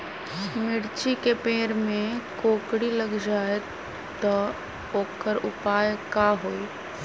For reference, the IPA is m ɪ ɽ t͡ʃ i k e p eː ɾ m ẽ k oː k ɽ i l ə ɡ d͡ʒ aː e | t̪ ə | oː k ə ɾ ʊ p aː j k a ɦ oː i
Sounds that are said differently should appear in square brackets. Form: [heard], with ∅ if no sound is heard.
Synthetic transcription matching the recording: m ɪ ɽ t͡ʃ i k e p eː ɾ m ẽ k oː k ɽ i l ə ɡ d͡ʒ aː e | t̪ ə | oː k ə ɾ ʊ p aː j k a ɦ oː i